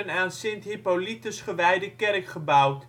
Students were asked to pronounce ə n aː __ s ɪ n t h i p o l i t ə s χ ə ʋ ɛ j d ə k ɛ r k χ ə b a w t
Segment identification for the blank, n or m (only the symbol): n